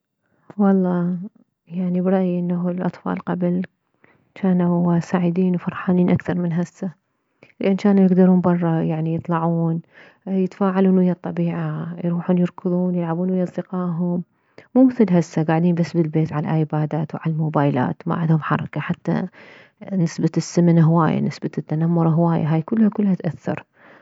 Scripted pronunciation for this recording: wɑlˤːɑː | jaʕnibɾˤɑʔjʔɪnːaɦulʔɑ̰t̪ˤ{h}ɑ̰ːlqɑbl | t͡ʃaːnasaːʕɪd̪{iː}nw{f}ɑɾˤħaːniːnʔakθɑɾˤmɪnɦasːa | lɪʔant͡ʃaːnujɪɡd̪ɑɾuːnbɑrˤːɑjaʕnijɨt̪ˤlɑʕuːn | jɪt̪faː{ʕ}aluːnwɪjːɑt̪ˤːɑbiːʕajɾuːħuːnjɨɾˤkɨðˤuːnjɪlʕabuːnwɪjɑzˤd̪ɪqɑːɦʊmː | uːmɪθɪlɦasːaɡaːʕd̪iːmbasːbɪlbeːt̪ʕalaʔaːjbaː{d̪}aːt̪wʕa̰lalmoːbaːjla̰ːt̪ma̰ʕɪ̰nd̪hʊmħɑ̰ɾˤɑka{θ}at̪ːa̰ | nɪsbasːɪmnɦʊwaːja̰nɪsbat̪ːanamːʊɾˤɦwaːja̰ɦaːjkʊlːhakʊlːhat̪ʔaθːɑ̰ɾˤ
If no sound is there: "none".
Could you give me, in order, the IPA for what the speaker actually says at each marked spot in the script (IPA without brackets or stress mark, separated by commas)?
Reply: f, iː, f, ʕ, d̪, ħ